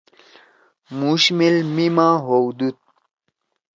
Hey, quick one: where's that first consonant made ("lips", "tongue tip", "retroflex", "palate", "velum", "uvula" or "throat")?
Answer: lips